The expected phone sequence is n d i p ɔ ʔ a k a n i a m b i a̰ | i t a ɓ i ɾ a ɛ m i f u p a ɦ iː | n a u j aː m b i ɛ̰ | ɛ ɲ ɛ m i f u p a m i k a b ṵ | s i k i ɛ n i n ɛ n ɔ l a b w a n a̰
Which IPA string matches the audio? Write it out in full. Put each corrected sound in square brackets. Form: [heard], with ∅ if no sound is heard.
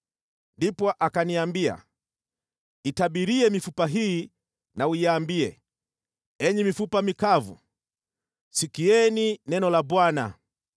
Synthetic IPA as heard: n d i p ɔ ʔ a k a n i a m b i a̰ | i t a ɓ i ɾ [i] ɛ m i f u p a ɦ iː | n a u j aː m b i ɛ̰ | ɛ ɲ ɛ m i f u p a m i k a [v] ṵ | s i k i ɛ n i n ɛ n ɔ l a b w a n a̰